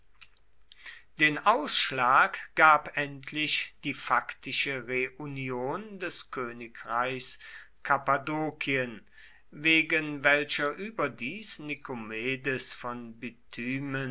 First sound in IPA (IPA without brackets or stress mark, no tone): d̥